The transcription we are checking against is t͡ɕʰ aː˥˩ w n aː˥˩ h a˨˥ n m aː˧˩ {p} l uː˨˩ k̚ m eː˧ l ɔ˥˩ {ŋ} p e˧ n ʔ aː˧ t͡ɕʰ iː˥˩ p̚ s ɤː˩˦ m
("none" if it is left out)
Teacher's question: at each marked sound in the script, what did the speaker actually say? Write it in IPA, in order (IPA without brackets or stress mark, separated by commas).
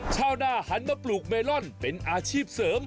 p, n